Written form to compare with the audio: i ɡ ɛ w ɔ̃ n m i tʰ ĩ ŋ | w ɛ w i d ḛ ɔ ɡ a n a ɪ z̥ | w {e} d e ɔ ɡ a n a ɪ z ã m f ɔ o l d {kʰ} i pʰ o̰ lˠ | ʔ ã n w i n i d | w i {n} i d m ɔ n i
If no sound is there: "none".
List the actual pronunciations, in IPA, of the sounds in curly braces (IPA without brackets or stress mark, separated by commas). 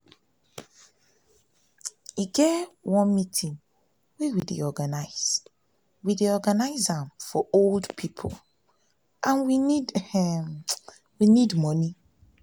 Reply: i, pʰ, n